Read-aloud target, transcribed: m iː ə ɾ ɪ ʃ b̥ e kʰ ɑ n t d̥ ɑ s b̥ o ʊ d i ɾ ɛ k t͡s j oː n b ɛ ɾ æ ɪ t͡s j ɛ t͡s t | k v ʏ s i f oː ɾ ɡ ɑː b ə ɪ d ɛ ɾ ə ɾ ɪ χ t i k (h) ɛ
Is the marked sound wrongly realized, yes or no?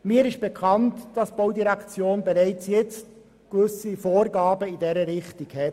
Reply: no